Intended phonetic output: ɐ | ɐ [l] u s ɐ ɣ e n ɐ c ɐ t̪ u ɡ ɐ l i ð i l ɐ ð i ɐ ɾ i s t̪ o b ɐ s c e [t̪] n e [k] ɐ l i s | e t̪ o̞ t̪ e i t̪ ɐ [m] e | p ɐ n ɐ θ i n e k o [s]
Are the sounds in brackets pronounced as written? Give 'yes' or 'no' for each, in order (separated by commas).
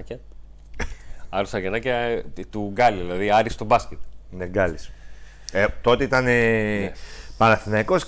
no, yes, no, no, yes